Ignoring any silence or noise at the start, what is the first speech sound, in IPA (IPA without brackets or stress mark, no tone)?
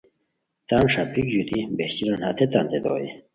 t̪